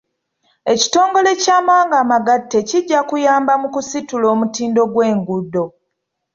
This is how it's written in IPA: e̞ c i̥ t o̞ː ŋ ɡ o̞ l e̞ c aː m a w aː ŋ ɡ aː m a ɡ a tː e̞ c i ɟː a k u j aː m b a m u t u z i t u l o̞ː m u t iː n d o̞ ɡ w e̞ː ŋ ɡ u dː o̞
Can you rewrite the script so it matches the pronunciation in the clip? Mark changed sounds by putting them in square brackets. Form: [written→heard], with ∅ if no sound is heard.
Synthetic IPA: e̞ c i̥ t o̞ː ŋ ɡ o̞ l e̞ c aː m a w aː ŋ ɡ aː m a ɡ a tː e̞ c i ɟː a k u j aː m b a m u [t→k] u [z→s] i t u l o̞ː m u t iː n d o̞ ɡ w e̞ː ŋ ɡ u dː o̞

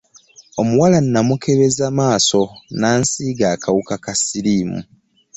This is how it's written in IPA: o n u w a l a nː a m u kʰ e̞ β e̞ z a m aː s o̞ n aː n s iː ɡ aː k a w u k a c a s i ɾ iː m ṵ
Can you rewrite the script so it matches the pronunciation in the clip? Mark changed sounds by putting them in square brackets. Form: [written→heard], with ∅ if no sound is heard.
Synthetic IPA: o [n→m] u w a l a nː a m u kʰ e̞ β e̞ z a m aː s o̞ n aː n s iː ɡ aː k a w u k a [c→k] a s i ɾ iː m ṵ

